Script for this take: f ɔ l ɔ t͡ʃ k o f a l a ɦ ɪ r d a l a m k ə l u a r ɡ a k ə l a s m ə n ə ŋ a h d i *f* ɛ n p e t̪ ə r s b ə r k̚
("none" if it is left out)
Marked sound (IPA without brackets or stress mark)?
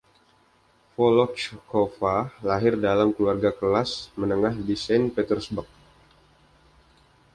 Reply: s